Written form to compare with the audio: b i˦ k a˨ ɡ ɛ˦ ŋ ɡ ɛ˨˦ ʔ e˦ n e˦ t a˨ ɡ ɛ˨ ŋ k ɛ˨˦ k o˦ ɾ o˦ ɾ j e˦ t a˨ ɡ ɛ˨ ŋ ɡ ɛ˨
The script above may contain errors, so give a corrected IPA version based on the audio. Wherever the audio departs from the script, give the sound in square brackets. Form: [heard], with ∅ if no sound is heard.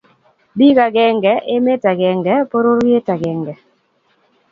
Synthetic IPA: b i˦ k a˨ ɡ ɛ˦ ŋ ɡ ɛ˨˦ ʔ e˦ [m] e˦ t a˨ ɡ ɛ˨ ŋ [ɡ] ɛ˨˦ [p] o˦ ɾ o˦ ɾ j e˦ t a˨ ɡ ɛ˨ ŋ ɡ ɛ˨